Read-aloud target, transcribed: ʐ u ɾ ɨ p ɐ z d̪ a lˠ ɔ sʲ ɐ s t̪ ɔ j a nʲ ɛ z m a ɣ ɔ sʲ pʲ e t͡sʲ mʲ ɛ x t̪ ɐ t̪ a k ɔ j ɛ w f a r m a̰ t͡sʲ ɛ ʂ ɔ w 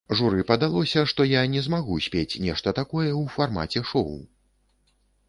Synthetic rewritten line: ʐ u ɾ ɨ p ɐ d̪ a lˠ ɔ sʲ ɐ ʂ t̪ ɔ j a nʲ ɛ z m a ɣ u sʲ pʲ e t͡sʲ nʲ ɛ ʂ t̪ ɐ t̪ a k ɔ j ɛ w f a r m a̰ t͡sʲ ɛ ʂ ɔ w